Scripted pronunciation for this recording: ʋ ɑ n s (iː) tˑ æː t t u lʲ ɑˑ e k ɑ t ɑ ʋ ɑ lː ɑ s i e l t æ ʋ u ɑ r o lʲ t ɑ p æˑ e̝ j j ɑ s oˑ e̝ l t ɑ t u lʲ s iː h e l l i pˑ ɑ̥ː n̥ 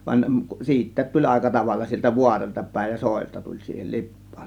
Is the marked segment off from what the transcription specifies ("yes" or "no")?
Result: no